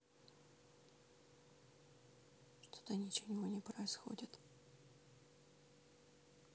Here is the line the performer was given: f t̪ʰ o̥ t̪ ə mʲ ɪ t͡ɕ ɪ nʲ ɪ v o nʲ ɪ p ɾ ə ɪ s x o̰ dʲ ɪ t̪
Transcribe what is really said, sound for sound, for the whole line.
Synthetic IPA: ʂ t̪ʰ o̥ t̪ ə nʲ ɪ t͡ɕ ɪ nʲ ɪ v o nʲ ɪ p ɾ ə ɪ s x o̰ dʲ ɪ t̪